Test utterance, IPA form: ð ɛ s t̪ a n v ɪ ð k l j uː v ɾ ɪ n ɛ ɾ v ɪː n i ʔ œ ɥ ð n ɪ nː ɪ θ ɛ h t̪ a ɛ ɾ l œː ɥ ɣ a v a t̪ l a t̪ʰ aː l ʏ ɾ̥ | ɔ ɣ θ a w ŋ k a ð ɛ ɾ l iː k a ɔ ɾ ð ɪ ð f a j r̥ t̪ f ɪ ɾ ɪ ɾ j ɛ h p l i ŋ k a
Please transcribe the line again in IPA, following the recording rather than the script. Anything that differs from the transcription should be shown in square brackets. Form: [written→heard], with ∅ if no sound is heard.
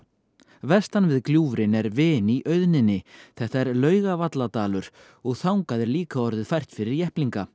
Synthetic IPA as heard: [ð→v] ɛ s t̪ a n v ɪ ð k l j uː v ɾ ɪ n ɛ ɾ v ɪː n i ʔ œ ɥ ð n ɪ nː ɪ θ ɛ h t̪ a ɛ ɾ l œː ɥ ɣ a v a t̪ l a [t̪ʰ→t̪] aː l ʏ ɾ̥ | ɔ ɣ θ a w ŋ k a ð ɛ ɾ l iː k a ɔ ɾ ð ɪ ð f a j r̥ t̪ f ɪ ɾ ɪ ɾ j ɛ h p l i ŋ k a